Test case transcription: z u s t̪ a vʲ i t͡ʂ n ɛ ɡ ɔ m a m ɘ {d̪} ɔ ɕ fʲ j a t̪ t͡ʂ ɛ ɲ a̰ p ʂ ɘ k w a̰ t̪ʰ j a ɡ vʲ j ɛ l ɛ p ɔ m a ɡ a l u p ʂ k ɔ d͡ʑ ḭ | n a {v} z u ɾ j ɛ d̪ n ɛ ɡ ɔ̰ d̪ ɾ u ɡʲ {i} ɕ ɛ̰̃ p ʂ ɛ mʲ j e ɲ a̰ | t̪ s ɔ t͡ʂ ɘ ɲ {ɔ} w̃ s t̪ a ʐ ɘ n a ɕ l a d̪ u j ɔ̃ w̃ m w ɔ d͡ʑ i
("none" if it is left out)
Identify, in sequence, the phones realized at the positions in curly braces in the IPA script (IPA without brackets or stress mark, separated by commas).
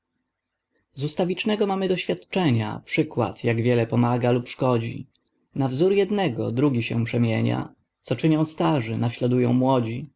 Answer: d̪, v, i, ɔ̃